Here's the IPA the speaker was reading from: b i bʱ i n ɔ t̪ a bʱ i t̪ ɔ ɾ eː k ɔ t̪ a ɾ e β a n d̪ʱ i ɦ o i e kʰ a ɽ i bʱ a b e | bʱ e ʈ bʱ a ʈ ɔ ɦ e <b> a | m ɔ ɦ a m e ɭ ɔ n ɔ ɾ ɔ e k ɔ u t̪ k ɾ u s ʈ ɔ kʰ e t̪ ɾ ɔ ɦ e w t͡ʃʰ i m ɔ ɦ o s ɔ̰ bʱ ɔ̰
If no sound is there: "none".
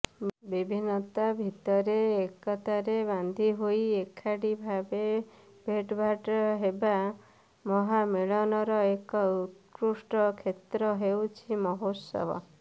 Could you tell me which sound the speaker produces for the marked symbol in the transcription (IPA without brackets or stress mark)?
b